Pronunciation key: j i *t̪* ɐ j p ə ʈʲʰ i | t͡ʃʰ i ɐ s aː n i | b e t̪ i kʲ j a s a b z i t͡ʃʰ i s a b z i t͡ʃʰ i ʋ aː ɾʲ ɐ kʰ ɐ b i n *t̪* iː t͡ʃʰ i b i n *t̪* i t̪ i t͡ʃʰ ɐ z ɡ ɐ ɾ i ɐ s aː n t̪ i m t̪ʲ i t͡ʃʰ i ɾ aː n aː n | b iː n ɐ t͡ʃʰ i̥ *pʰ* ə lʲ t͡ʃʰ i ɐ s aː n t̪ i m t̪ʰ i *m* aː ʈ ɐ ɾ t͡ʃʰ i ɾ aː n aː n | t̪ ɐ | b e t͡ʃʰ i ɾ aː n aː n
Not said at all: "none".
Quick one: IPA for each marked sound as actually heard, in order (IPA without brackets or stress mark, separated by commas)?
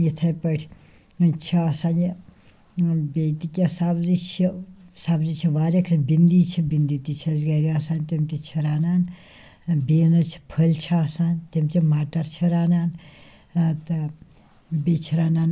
t̪ʰ, d̪, d̪, pʰ, m